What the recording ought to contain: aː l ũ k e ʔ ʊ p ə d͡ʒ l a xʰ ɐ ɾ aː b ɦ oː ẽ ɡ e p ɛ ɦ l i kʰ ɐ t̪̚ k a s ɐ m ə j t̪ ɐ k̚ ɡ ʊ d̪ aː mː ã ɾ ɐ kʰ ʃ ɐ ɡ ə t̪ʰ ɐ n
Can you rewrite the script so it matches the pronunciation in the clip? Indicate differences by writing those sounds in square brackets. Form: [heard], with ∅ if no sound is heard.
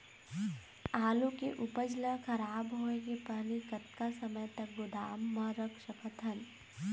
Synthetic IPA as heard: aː l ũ k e ʔ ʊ p ə d͡ʒ l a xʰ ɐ ɾ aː b ɦ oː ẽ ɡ e p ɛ ɦ l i [k] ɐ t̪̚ k a s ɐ m ə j t̪ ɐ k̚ ɡ ʊ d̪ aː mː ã ɾ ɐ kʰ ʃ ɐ [k] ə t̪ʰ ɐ n